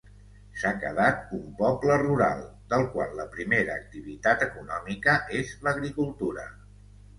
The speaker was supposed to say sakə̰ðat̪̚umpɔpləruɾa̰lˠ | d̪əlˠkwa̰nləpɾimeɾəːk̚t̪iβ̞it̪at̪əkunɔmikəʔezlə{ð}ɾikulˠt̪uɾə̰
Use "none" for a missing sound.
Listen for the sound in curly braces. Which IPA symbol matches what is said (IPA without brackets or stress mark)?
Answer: ɣ